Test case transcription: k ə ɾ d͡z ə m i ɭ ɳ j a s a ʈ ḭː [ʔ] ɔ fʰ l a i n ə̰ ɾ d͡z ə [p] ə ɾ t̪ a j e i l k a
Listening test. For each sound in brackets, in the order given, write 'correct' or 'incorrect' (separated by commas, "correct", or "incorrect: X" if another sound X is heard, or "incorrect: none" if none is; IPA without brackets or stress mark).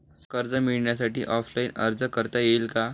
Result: correct, incorrect: k